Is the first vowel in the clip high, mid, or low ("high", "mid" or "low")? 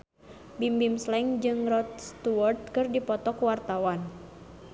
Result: high